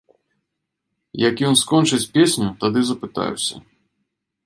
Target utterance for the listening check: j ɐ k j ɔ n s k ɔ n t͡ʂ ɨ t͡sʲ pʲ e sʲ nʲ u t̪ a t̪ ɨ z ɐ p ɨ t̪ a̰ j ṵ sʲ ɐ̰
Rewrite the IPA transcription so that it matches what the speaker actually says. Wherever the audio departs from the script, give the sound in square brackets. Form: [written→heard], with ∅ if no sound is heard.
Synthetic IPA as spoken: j ɐ k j ɔ n s k ɔ n t͡ʂ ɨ t͡sʲ pʲ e sʲ nʲ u t̪ a [t̪→d̪] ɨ z ɐ p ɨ t̪ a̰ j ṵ sʲ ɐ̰

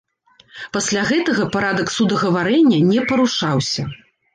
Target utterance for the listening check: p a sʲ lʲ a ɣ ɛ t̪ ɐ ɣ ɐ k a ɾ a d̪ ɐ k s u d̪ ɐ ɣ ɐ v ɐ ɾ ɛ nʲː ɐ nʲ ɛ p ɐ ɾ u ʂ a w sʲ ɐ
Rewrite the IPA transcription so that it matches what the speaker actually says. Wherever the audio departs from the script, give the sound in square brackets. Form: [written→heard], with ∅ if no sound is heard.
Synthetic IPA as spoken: p a sʲ lʲ a ɣ ɛ t̪ ɐ ɣ ɐ [k→p] a ɾ a d̪ ɐ k s u d̪ ɐ ɣ ɐ v [ɐ→a] ɾ ɛ nʲː ɐ nʲ ɛ p ɐ ɾ u ʂ a w sʲ ɐ

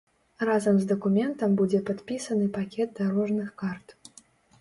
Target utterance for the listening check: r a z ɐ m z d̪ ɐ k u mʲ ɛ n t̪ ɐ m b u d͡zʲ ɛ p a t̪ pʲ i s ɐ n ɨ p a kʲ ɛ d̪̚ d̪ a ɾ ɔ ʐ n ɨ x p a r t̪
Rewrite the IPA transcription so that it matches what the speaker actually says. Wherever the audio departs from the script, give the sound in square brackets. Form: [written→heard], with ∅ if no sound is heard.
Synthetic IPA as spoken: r a z ɐ m z d̪ ɐ k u mʲ ɛ n t̪ ɐ m b u d͡zʲ ɛ p a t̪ pʲ i s ɐ n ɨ p a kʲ ɛ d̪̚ d̪ a ɾ ɔ ʐ n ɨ x [p→k] a r t̪

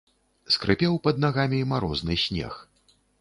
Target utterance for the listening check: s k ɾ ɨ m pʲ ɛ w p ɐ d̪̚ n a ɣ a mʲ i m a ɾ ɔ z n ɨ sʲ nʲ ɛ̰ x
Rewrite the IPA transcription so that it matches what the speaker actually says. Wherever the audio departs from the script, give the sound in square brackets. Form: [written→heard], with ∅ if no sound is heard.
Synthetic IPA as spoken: s k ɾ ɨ [m→∅] pʲ ɛ w p ɐ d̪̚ n a ɣ a mʲ i m a ɾ ɔ z n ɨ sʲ nʲ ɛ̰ x

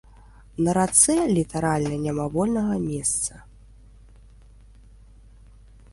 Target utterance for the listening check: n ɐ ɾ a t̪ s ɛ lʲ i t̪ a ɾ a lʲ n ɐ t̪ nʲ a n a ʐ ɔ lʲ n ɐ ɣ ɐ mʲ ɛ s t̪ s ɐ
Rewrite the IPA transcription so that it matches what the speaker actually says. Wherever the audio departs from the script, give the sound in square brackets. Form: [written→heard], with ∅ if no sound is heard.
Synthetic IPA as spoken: n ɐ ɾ a t̪ s ɛ lʲ i t̪ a ɾ a lʲ n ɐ [t̪→∅] nʲ a [n→m] a [ʐ→v] ɔ lʲ n ɐ ɣ ɐ mʲ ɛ s t̪ s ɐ

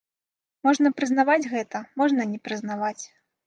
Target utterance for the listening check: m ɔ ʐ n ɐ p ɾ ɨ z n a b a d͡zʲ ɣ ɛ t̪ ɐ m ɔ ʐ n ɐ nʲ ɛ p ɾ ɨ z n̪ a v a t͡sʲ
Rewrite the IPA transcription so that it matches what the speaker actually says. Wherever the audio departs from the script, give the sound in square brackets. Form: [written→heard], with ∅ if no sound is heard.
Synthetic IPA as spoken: m ɔ ʐ n ɐ p ɾ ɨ z n a [b→v] a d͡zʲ ɣ ɛ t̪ ɐ m ɔ ʐ n ɐ nʲ ɛ p ɾ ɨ z n̪ a v a t͡sʲ

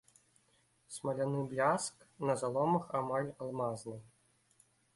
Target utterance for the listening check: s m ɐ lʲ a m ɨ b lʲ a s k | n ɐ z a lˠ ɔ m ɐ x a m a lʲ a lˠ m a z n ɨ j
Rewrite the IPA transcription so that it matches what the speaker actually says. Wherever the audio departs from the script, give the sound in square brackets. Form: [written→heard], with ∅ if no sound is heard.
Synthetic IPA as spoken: s m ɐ lʲ a [m→n] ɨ b lʲ a s k | n ɐ z a lˠ ɔ m ɐ x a m a lʲ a lˠ m a z n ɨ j

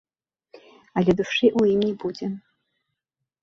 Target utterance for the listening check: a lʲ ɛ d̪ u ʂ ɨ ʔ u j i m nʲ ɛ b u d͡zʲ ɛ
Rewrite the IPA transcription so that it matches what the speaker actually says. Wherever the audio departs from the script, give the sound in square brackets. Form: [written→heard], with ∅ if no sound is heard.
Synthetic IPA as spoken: a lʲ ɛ d̪ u ʂ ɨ ʔ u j i m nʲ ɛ b u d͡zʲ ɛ

